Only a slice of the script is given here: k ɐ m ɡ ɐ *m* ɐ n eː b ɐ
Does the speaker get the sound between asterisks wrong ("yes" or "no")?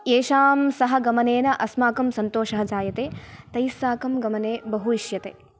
no